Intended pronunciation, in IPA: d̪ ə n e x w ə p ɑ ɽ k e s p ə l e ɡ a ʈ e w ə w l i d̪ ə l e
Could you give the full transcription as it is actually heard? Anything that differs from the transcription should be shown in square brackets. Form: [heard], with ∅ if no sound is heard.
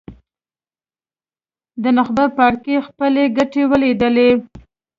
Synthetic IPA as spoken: d̪ ə n [a] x [b] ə p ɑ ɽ k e [x] p ə l e ɡ a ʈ e w ə [∅] l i d̪ ə l e